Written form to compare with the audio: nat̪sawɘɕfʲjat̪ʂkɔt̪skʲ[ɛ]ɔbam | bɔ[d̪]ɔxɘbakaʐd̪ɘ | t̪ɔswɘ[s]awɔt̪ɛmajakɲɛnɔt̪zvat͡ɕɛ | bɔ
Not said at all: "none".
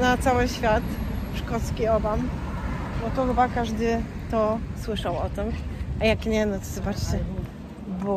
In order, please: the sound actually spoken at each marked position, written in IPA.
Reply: i, t̪, ʂ

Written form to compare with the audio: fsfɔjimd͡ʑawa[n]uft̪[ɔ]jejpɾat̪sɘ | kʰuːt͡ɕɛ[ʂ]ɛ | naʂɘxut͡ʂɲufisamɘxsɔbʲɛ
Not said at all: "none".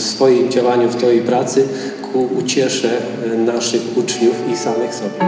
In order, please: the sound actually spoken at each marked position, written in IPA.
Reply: ɲ, ɔ, ʂ

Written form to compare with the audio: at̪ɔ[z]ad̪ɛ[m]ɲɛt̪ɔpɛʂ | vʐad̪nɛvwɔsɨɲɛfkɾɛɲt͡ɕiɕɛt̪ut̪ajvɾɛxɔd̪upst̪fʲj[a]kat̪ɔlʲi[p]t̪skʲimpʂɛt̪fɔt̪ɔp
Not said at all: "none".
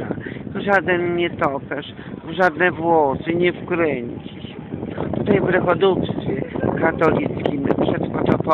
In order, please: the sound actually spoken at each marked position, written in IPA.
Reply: ʐ, n, ɛ, none

